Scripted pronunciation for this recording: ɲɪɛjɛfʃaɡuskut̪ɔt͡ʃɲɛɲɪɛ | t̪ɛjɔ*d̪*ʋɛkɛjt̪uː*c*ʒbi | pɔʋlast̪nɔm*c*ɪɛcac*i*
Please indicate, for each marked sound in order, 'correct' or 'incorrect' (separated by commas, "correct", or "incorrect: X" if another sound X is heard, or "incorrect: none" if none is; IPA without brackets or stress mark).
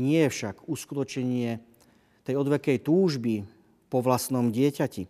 correct, incorrect: none, incorrect: ɟ, correct